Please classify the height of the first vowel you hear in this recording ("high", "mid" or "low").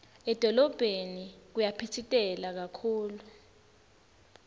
mid